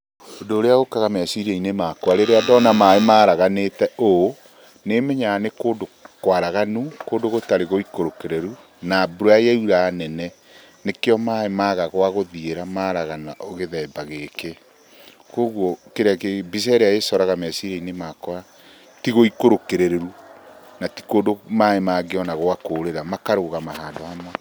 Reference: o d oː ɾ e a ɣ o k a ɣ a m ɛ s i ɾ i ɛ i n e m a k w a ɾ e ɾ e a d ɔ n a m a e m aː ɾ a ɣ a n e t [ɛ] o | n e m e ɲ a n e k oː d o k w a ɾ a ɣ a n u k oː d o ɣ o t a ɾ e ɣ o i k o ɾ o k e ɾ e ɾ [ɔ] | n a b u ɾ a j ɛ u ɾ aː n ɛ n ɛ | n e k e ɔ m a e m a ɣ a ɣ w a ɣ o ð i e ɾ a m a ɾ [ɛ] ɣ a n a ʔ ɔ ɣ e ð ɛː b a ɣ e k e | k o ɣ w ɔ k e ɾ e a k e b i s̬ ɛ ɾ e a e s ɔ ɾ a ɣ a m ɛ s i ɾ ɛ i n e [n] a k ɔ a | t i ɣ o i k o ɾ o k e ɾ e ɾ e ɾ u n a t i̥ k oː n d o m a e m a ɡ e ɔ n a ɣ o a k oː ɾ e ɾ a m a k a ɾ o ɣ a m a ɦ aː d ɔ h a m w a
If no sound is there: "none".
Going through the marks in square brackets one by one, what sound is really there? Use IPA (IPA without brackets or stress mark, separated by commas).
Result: ɛ, u, a, m